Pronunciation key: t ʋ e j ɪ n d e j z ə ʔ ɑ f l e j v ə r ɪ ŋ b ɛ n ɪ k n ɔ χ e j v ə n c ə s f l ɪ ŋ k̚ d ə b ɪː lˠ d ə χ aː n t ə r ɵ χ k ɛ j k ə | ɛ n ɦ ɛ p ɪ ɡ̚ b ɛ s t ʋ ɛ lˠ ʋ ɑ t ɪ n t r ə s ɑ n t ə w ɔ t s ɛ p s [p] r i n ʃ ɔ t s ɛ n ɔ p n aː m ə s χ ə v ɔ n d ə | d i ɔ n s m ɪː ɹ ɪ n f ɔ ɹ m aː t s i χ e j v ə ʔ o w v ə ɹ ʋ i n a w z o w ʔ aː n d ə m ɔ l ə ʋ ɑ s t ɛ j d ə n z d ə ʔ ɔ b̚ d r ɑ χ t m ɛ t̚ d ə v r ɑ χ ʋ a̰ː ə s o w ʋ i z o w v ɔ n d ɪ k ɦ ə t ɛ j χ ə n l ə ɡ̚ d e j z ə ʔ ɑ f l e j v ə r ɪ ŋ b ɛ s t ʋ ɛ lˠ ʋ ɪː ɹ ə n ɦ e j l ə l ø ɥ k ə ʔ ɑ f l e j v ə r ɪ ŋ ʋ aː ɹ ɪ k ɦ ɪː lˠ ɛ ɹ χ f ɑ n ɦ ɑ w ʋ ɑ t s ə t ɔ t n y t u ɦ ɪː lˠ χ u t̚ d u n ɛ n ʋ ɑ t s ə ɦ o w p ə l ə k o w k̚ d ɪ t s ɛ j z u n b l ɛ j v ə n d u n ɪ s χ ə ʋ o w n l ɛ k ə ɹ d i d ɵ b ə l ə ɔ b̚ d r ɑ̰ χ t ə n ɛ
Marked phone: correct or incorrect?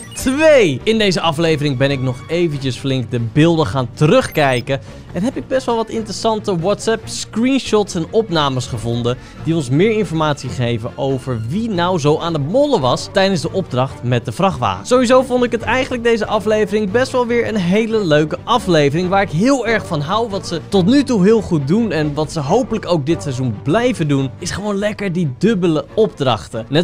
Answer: incorrect